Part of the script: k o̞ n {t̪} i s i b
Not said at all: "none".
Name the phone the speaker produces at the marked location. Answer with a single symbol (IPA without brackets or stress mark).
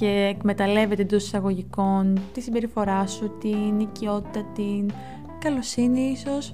t̪